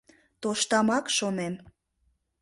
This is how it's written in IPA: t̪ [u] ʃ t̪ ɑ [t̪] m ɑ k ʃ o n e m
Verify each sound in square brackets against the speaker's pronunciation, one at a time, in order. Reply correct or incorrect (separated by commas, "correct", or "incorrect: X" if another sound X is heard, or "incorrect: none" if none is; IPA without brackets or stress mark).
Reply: incorrect: o, incorrect: none